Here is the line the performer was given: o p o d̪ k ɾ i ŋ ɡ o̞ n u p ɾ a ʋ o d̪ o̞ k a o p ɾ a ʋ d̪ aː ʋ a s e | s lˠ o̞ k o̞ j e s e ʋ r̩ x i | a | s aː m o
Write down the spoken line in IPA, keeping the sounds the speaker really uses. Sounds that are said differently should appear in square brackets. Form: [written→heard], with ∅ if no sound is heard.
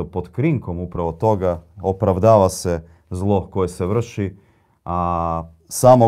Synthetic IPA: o p o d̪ k ɾ i ŋ [ɡ→k] o̞ [n→m] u p ɾ a ʋ o [d̪→t̪] o̞ [k→ɡ] a o p ɾ a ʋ d̪ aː ʋ a s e | [s→z] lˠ o̞ k o̞ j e s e ʋ r̩ [x→ʃ] i | a | s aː m o